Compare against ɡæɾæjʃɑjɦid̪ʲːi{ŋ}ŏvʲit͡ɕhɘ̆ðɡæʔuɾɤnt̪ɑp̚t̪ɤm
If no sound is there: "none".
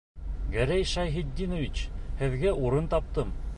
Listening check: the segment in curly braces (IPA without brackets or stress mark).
n